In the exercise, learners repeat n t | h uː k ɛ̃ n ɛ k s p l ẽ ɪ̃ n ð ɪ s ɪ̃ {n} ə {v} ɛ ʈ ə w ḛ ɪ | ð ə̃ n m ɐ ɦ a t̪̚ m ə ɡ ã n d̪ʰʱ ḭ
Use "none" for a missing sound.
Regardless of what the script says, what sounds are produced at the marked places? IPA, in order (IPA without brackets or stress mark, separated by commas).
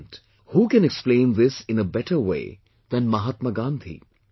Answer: n, b